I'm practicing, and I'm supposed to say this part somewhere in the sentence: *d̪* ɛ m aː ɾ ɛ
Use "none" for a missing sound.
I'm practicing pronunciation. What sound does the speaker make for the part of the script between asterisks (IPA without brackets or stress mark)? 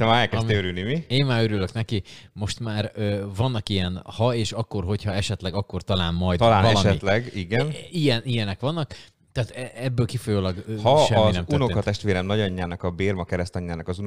t̪